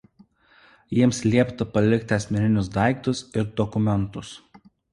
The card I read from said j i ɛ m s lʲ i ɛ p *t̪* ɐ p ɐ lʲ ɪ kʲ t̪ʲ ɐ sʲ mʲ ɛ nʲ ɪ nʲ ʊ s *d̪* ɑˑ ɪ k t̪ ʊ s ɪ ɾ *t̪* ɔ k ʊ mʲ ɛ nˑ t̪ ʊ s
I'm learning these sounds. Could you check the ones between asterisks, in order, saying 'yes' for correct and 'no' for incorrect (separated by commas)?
yes, yes, no